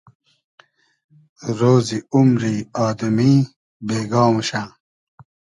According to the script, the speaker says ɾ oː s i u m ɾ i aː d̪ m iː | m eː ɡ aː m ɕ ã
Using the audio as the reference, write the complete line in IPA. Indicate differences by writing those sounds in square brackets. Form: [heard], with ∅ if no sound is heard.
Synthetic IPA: ɾ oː [z] i u m ɾ i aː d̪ m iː | [b] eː ɡ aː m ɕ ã